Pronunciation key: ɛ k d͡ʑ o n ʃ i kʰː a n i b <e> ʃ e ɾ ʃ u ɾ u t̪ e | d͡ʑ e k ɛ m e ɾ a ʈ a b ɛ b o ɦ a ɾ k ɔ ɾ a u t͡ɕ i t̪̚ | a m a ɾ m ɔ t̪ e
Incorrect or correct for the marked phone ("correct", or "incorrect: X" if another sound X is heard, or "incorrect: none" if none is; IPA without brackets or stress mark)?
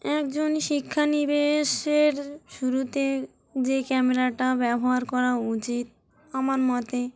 correct